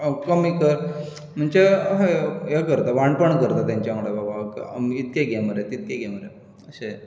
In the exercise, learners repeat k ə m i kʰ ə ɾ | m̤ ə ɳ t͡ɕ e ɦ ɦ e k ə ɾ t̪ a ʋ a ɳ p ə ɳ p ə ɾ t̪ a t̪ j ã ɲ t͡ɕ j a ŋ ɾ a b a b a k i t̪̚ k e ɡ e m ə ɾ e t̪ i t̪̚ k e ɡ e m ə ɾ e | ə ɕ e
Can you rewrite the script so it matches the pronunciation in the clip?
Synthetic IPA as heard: k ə m i k ə ɾ | m̤ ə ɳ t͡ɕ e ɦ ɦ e k ə ɾ t̪ a ʋ a ɳ p ə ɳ k ə ɾ t̪ a t̪ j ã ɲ t͡ɕ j a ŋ ɽ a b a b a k i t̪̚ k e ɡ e m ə ɾ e t̪ i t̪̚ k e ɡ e m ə ɾ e | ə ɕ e